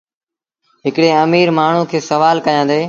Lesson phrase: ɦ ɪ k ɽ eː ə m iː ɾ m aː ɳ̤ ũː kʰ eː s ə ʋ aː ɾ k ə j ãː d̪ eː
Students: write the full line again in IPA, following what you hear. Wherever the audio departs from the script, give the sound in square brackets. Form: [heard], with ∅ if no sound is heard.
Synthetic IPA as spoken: ɦ ɪ k ɽ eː ə m iː ɾ m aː ɳ̤ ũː kʰ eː s ə ʋ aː [l] k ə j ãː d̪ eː